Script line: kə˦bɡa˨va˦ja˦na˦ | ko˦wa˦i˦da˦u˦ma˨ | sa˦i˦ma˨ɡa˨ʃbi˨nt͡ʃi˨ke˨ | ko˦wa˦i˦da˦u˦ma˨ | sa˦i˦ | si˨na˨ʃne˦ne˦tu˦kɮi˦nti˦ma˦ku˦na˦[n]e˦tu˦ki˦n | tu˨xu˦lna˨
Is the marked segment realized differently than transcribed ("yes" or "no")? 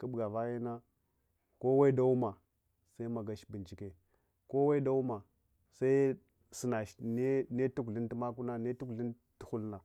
no